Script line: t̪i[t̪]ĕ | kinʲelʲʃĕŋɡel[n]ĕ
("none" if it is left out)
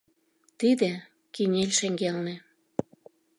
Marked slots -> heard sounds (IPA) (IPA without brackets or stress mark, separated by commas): d̪, n